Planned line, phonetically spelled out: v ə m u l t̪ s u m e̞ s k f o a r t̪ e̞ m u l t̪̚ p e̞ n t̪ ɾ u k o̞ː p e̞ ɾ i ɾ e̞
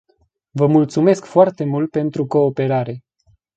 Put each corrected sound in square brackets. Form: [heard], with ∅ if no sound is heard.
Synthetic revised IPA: v ə m u l t̪ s u m e̞ s k f o a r t̪ e̞ m u l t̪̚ p e̞ n t̪ ɾ u k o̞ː p e̞ ɾ [a] ɾ e̞